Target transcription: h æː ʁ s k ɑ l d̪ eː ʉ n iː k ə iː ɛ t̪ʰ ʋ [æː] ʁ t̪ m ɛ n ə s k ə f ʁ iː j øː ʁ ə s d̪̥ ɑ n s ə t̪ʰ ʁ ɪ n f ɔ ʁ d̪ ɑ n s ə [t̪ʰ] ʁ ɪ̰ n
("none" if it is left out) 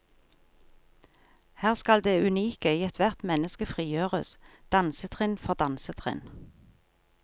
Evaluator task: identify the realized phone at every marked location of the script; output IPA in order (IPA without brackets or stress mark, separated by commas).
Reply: æ, t̪ʰ